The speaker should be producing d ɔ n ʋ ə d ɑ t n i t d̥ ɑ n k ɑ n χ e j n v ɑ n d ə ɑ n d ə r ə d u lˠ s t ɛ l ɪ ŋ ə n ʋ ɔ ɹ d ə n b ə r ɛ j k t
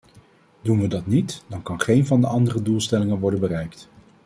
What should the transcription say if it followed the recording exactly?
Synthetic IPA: d u n ʋ ə d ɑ t n i t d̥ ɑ n k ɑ n χ e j n v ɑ n d ə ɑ n d ə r ə d u lˠ s t ɛ l ɪ ŋ ə n ʋ ɔ ɹ d ə n b ə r ɛ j k t

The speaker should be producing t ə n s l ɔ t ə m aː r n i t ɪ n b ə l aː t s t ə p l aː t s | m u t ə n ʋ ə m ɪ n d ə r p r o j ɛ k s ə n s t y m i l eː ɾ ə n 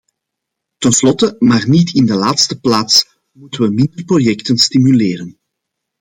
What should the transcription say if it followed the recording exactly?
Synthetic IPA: t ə n s l ɔ t ə m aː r n i t ɪ n d ə l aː t s t ə p l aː t s | m u t ə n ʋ ə m ɪ n d ə r p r o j ɛ k t ə n s t i m y l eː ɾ ə n

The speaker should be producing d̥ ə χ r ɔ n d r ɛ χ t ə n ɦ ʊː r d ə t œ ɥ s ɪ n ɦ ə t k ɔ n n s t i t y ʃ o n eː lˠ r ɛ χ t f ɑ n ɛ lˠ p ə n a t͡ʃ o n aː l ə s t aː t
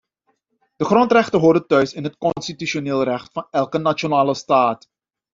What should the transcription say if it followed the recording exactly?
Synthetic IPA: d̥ ə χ r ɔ n t r ɛ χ t ə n ɦ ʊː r d ə t œ ɥ s ɪ n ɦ ə t k ɔ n n s t i t y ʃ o n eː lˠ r ɛ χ t f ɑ n ɛ lˠ k ə n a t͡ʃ o n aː l ə s t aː t

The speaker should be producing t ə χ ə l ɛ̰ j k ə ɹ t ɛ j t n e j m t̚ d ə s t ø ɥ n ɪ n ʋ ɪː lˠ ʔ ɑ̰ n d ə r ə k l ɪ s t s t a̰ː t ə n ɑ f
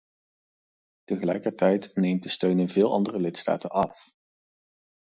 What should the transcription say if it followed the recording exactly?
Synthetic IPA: t ə χ ə l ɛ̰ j k ə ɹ t ɛ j t n e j m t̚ d ə s t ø ɥ n ɪ n v ɪː lˠ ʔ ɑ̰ n d ə r ə l ɪ t s t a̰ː t ə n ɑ f

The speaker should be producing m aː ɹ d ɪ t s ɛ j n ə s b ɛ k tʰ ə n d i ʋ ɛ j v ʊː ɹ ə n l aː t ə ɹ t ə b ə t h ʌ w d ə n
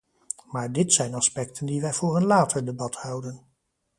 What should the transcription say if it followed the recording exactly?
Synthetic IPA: m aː ɹ d ɪ t s ɛ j n ɑ s p ɛ k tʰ ə n d i ʋ ɛ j v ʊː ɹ ə n l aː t ə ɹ d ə b ɑ t h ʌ w d ə n

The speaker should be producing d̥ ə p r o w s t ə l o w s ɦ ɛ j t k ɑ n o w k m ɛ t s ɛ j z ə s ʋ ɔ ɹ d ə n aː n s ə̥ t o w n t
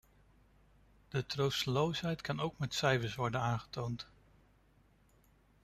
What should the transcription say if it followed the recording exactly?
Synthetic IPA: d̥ ə t r o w s t ə l o w s ɦ ɛ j t k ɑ n o w k m ɛ t s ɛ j v ə s ʋ ɔ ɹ d ə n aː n χ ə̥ t o w n t

